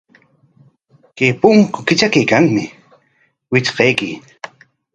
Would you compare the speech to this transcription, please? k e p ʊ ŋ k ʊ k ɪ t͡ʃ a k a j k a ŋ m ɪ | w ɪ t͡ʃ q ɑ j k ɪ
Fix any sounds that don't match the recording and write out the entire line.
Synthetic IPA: k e p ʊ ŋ k ʊ k ɪ t͡ʃ a k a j k a ŋ m ɪ | w ɪ t͡ʃ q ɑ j k ɪ

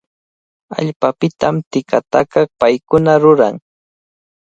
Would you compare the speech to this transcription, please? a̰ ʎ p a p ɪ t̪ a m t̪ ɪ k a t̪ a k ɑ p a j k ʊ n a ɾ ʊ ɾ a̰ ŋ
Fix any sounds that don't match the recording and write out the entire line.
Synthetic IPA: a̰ ʎ p a p ɪ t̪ a m t̪ ɪ k a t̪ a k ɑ p a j k ʊ n a ɾ ʊ ɾ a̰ ŋ

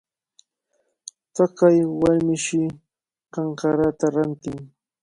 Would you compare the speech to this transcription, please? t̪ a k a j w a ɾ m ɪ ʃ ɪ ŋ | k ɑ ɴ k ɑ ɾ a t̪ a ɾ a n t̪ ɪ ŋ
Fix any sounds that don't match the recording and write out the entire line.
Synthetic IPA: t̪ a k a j w a ɾ m ɪ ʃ ɪ | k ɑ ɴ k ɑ ɾ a t̪ a ɾ a n t̪ ɪ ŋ

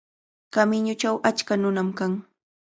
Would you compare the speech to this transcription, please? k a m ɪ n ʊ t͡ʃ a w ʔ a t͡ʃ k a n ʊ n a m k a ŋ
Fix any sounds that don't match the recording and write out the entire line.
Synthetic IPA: k a m ɪ ɲ ʊ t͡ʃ a w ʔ a t͡ʃ k a n ʊ n a m k a ŋ

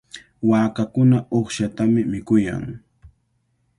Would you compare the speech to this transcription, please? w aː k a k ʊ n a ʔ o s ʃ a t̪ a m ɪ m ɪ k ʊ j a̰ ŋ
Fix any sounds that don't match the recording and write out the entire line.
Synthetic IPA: w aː k a k ʊ n a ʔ o χ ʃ a t̪ a m ɪ m ɪ k ʊ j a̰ ŋ

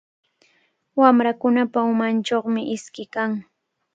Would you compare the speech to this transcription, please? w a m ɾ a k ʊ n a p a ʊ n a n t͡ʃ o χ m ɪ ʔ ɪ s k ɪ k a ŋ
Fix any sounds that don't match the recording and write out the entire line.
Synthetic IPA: w a m ɾ a k ʊ n a p a ʊ m a n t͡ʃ o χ m ɪ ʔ ɪ s k ɪ k a ŋ

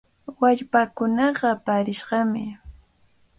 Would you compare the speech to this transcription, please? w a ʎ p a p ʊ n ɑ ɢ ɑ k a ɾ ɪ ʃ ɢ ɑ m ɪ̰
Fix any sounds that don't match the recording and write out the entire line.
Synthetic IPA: w a ʎ p a k ʊ n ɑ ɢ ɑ p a ɾ ɪ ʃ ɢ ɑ m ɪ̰

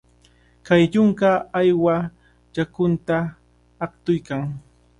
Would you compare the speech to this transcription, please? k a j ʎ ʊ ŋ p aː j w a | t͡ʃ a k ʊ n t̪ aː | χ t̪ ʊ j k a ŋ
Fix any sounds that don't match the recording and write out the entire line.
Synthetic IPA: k a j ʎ ʊ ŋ k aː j w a | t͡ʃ a k ʊ n t̪ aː | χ t̪ ʊ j k a ŋ

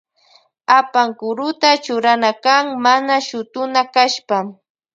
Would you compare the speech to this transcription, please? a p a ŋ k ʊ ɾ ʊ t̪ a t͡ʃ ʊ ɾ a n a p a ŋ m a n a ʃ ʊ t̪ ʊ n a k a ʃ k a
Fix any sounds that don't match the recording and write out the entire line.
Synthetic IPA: a p a ŋ k ʊ ɾ ʊ t̪ a t͡ʃ ʊ ɾ a n a k a ŋ m a n a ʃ ʊ t̪ ʊ n a k a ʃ p a

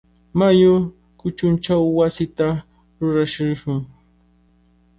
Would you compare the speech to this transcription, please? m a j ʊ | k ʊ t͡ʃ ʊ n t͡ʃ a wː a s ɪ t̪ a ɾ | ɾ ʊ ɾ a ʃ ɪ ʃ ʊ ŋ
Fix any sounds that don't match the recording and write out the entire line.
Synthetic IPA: m a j ʊ | k ʊ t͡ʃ ʊ n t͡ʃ a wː a s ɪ t̪ a | ɾ ʊ ɾ a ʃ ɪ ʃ ʊ ŋ

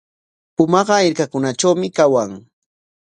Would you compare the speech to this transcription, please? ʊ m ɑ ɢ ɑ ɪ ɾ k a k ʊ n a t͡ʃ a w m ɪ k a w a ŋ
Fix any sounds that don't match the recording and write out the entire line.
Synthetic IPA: ʊ m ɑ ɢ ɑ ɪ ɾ k a k ʊ n a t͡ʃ a w m ɪ k a w a ŋ

